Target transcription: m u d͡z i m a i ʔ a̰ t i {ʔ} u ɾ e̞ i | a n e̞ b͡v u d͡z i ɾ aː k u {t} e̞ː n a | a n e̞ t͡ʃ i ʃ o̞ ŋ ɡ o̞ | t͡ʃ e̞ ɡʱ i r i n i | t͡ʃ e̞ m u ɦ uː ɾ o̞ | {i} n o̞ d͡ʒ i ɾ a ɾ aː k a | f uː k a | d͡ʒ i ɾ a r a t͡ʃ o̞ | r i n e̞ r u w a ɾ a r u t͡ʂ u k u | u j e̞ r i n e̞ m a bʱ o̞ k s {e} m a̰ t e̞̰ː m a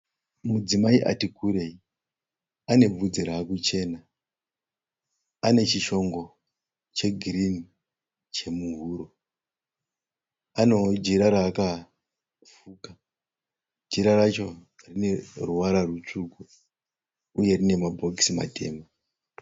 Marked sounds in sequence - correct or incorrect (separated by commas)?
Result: incorrect, incorrect, incorrect, incorrect